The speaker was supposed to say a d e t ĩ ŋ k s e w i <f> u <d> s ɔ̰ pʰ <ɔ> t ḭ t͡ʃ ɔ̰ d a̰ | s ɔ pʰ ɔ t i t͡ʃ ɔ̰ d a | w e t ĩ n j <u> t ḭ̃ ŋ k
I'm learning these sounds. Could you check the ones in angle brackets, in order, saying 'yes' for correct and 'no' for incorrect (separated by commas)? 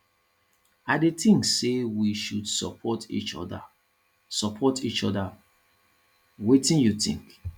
no, yes, yes, yes